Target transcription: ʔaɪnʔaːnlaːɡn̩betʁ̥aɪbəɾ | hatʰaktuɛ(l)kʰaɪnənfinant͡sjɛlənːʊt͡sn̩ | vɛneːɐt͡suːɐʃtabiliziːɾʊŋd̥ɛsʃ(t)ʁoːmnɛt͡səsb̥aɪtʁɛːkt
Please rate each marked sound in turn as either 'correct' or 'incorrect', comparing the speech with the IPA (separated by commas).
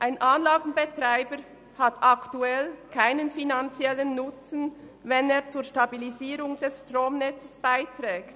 correct, correct